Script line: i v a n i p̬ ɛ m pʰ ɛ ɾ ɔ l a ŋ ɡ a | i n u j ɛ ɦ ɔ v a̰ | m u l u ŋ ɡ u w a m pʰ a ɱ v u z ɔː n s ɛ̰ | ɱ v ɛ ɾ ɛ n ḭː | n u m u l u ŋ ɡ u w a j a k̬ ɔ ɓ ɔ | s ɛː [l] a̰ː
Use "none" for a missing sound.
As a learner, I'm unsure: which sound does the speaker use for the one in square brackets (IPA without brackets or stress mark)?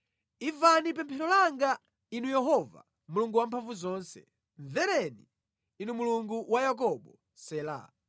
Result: l